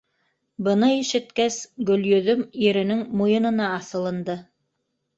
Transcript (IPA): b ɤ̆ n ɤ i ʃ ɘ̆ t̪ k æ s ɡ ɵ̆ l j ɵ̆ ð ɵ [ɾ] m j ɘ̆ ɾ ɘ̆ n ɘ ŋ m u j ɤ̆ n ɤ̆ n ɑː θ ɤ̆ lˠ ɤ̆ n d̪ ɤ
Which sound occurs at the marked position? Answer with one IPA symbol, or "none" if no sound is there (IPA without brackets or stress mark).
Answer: none